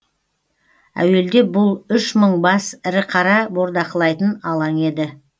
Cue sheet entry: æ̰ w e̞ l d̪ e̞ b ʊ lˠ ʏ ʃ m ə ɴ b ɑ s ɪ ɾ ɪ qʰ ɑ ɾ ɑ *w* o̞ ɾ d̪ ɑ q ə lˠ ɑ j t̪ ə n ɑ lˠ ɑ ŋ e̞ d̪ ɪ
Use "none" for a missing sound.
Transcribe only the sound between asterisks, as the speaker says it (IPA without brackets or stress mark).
b